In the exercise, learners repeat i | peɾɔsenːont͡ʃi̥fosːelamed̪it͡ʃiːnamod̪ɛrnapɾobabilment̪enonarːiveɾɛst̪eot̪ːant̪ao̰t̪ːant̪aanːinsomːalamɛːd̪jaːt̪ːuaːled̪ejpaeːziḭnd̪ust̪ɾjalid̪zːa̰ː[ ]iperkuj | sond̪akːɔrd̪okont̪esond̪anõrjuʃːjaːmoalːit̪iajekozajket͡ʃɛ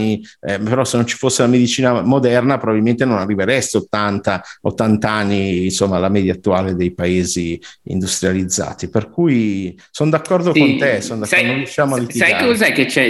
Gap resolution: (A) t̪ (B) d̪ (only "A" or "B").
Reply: A